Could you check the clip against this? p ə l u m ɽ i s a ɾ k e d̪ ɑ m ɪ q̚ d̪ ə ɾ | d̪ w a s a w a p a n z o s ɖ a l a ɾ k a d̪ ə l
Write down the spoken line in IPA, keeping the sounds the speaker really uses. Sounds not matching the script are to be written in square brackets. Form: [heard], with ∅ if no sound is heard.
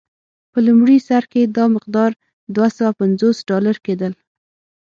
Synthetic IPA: p ə l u m ɽ i s a ɾ k e d̪ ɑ m ɪ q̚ d̪ [ɑ] ɾ | d̪ w a s a w a p a n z o s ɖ [ɑ] l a ɾ k [e] d̪ ə l